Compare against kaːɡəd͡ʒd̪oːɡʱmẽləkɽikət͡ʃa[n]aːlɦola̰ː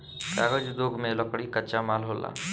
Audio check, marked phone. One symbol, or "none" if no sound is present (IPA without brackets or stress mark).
m